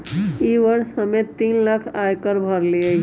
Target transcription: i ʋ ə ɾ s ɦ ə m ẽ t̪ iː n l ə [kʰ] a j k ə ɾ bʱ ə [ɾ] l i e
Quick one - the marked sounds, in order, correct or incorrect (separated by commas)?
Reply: correct, correct